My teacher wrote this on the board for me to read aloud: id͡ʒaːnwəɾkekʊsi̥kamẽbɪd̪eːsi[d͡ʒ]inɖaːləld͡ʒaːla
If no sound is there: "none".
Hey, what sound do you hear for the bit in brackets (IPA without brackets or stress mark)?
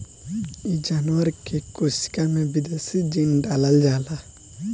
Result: d͡ʒ